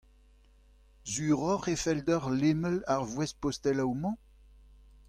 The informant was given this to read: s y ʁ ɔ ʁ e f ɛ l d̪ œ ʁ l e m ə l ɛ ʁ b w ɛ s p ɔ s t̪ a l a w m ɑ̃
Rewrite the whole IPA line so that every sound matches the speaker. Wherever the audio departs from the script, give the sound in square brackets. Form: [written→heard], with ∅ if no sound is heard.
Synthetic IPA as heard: [s→z] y ʁ ɔ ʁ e f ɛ l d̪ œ ʁ l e m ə l [ɛ→a] ʁ [b→v] w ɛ s p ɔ s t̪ [a→ɛ] l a w m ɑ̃